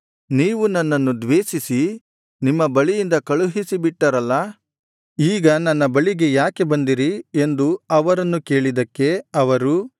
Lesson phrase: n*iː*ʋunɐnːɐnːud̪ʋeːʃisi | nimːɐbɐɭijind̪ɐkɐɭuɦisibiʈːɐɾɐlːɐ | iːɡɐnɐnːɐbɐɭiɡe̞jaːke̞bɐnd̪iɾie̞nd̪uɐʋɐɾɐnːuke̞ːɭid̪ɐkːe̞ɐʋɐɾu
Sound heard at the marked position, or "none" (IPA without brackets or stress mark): iː